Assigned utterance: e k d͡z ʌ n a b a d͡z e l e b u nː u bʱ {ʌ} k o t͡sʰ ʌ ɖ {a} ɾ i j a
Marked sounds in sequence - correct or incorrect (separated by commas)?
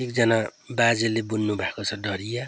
incorrect, incorrect